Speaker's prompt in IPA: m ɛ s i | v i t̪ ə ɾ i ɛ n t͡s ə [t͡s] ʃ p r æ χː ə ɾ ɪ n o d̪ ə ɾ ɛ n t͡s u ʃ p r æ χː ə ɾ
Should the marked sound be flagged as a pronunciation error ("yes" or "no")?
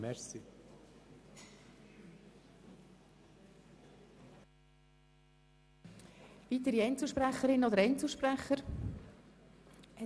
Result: yes